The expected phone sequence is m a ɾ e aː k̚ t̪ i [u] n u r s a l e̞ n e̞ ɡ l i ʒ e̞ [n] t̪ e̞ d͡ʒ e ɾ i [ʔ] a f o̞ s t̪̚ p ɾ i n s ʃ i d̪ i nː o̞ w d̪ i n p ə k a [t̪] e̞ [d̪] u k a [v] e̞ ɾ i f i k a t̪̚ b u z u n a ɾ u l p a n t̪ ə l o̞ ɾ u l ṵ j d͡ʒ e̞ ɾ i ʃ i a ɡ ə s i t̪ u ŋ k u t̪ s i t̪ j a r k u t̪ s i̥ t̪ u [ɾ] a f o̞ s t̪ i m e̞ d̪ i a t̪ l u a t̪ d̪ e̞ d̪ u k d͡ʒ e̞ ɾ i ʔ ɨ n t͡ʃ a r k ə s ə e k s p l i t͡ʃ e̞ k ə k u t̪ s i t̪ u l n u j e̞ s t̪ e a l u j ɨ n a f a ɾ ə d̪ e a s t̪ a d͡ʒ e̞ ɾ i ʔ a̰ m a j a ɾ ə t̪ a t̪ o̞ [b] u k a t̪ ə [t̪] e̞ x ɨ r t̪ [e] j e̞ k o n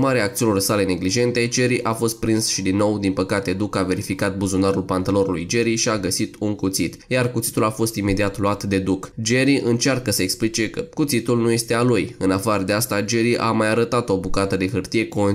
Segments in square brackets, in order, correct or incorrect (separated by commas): correct, correct, correct, correct, correct, correct, incorrect, correct, incorrect, incorrect